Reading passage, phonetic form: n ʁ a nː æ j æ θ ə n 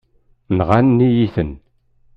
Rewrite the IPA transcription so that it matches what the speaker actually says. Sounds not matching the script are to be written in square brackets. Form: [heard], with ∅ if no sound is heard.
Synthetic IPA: n ʁ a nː [i] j [i] θ ə n